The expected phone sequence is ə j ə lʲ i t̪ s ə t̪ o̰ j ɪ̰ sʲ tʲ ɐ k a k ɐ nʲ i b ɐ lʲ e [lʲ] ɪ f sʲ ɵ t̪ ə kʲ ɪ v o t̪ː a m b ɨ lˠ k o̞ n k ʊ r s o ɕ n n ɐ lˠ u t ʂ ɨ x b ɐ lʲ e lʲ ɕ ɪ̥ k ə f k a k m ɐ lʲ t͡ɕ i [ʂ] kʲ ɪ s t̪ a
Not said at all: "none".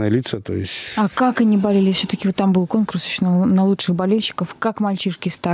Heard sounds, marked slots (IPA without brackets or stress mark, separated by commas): lʲ, ʂ